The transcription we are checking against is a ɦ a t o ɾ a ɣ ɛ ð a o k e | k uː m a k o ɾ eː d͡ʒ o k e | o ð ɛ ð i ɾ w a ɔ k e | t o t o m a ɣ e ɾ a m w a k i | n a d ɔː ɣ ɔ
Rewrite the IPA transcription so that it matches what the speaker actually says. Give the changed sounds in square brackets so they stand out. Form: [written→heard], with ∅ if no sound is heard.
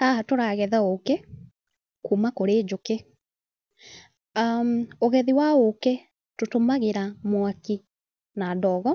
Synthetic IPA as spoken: a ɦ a t o ɾ a ɣ ɛ ð a o k e | k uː m a k o ɾ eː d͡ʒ o k e | o [ð→ɣ] ɛ ð i [ɾ→∅] w a [ɔ→o] k e | t o t o m a ɣ e ɾ a m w a k i | n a d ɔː ɣ ɔ

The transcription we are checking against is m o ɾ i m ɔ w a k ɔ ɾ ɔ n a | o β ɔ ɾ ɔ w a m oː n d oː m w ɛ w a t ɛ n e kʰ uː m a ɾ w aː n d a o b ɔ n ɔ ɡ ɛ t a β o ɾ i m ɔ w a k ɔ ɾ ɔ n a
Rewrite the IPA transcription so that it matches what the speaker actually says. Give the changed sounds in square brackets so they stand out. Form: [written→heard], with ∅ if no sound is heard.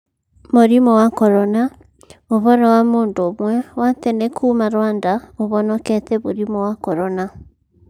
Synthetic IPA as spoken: m o ɾ i m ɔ w a k ɔ ɾ ɔ n a | o β ɔ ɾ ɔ w a m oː n d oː m w ɛ w a t ɛ n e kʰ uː m a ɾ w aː n d a o [b→β] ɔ n ɔ [ɡ→k] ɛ t [a→ɛ] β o ɾ i m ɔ w a k ɔ ɾ ɔ n a

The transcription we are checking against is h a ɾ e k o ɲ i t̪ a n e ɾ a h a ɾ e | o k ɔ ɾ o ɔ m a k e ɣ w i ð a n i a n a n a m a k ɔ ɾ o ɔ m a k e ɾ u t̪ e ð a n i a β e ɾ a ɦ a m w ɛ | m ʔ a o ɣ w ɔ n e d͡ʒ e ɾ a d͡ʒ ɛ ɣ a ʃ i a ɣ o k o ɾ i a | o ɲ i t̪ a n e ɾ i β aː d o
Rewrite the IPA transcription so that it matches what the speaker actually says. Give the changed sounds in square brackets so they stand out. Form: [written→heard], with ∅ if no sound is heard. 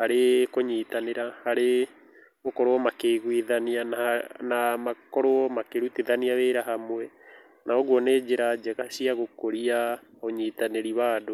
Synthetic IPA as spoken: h a ɾ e k o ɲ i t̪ a n e ɾ a h a ɾ e | o k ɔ ɾ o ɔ m a k e ɣ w i ð a n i a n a n a m a k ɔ ɾ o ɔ m a k e ɾ u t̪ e ð a n i a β e ɾ a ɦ a m w ɛ | [m→n] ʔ a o ɣ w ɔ n e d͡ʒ e ɾ a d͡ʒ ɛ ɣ a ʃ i a ɣ o k o ɾ i a | o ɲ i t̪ a n e ɾ i β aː d o

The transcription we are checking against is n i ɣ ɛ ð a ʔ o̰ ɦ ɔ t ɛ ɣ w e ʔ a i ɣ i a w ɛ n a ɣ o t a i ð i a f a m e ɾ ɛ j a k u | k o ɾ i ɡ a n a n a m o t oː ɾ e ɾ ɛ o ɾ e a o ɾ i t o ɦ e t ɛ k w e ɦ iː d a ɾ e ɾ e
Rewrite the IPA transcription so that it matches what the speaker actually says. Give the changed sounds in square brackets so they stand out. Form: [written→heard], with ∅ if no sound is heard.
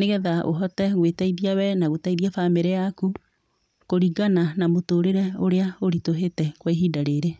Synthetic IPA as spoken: n [i→e] ɣ ɛ ð a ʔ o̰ ɦ ɔ t ɛ ɣ w e [ʔ→t] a i [ɣ→ð] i a w ɛ n a ɣ o t a i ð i a f a m e ɾ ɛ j a k u | k o ɾ i ɡ a n a n a m o t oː ɾ e ɾ ɛ o ɾ e a o ɾ i t o ɦ e t ɛ k w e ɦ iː d a ɾ e ɾ e

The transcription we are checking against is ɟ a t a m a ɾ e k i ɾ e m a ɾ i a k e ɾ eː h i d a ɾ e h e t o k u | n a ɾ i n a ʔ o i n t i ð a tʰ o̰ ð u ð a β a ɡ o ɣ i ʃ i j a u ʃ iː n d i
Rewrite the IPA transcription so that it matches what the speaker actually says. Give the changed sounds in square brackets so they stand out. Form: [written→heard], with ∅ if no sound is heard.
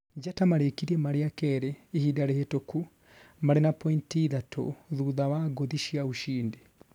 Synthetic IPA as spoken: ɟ a t a m a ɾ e k i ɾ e m a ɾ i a k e ɾ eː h i d a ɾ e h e t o k u | [n→m] a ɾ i n a [ʔ→p] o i n t i ð a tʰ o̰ ð u ð a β a ɡ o [ɣ→ð] i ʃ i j a u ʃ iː n d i

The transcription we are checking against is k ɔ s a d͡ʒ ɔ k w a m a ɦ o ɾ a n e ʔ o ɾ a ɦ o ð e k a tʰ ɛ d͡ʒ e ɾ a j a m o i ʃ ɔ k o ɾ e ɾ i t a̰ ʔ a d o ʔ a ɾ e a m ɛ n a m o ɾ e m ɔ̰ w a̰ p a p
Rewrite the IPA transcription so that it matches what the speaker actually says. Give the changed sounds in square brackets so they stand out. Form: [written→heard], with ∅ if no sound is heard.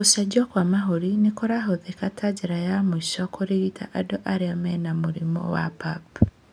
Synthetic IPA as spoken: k [ɔ→o] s a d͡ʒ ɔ k w a m a ɦ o ɾ [a→i] n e [ʔ→k] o ɾ a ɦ o ð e k a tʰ [ɛ→a] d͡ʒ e ɾ a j a m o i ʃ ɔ k o ɾ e ɾ i t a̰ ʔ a d o ʔ a ɾ e a m ɛ n a m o ɾ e m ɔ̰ w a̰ p a p

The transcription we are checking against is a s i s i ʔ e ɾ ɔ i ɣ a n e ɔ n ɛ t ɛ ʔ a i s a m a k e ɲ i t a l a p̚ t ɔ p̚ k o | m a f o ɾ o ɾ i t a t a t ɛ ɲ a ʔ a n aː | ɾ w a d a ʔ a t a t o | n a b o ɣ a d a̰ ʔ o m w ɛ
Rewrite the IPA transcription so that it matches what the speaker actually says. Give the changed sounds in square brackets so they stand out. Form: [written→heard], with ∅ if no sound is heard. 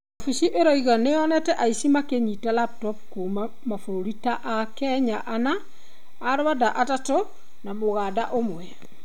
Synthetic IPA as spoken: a [s→f] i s i ʔ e ɾ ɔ i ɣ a n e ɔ n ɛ t ɛ ʔ a i s [a→i] m a k e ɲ i t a l a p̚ t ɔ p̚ k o | m a f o ɾ o ɾ i t a [t→ʔ] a [t→k] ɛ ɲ a ʔ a n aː | ɾ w a d a ʔ a t a t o | n a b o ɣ a d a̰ ʔ o m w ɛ

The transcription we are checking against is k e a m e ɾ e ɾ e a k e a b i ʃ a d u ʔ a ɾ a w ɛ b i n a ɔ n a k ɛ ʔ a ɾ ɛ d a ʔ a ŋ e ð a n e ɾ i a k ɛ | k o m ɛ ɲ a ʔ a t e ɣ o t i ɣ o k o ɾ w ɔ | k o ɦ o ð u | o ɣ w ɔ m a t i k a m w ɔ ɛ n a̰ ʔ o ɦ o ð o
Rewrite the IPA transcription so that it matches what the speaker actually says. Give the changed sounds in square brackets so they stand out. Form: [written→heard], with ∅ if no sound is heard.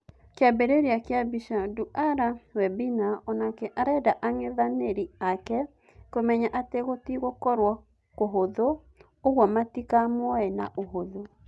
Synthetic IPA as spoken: k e a [m→b] e ɾ e ɾ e a k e a b i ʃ a d u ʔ a ɾ a w ɛ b i n a ɔ n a k ɛ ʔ a ɾ ɛ d a ʔ a ŋ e ð a n e ɾ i a k ɛ | k o m ɛ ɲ a ʔ a t e ɣ o t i ɣ o k [o→ɔ] ɾ w ɔ | k o ɦ o ð [u→o] | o ɣ w ɔ m a t i k a m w ɔ ɛ n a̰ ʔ o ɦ o ð o

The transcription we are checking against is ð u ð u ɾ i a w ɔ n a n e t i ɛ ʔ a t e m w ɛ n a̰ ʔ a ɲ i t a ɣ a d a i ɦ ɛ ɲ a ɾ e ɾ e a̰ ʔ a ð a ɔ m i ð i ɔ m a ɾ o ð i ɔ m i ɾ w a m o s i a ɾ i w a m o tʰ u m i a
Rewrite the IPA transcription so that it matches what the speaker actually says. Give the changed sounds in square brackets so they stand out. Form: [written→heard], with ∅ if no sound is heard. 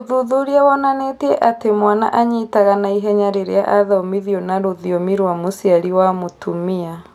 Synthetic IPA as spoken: ð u ð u ɾ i a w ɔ n a n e t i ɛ ʔ a t e m w [ɛ→a] n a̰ ʔ a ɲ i t a ɣ a [d→n] a i ɦ ɛ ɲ a ɾ e ɾ e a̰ ʔ a ð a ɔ m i ð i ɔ [m→n] a ɾ o ð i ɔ m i ɾ w a m o s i a ɾ i w a m o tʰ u m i a

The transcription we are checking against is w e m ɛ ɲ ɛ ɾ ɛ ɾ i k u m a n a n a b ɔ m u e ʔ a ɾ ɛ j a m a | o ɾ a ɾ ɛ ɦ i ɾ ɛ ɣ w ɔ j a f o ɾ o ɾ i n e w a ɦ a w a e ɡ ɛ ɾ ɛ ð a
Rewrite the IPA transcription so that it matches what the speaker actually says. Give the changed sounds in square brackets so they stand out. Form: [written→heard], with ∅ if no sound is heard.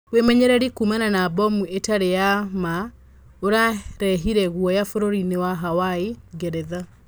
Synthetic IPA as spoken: w e m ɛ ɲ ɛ ɾ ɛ ɾ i k u m a n a n a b ɔ m u e [ʔ→t] a ɾ [ɛ→e] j a m a | o ɾ a ɾ ɛ ɦ i ɾ ɛ ɣ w ɔ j a f o ɾ o ɾ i n e w a ɦ a w a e ɡ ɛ ɾ ɛ ð a

